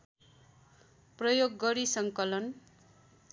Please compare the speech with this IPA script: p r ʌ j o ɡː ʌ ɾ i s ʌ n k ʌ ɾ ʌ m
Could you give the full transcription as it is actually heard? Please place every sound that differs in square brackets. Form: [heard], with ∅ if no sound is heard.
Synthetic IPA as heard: p r ʌ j o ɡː ʌ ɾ i s ʌ [ŋ] k ʌ [l] ʌ [n]

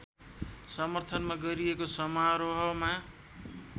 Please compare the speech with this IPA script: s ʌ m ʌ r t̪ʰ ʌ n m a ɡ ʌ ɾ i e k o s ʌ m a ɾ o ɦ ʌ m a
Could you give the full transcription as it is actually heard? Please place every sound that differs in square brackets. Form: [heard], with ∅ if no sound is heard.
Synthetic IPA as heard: s ʌ m ʌ r t̪ʰ ʌ n m a ɡ ʌ ɾ i e k o s ʌ m a ɾ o ɦ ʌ m a

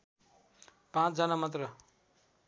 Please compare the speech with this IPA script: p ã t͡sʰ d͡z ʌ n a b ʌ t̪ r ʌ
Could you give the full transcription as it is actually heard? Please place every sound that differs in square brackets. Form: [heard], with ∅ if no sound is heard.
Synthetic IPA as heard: p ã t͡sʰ d͡z ʌ n a [m] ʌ t̪ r ʌ

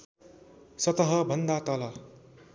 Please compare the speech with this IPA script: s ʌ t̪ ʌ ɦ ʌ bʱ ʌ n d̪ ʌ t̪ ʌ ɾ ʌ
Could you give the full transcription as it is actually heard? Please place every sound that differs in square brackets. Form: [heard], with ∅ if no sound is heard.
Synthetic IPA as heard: s ʌ t̪ ʌ ɦ ʌ bʱ ʌ n d̪ [a] t̪ ʌ [l] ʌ

